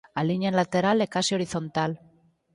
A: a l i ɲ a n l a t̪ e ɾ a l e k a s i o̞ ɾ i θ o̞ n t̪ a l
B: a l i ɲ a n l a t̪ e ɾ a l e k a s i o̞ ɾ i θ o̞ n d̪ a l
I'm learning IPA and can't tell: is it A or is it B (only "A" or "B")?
A